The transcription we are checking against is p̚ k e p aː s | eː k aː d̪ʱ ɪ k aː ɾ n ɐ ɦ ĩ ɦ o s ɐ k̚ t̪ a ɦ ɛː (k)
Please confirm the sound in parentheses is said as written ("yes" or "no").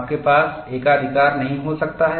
no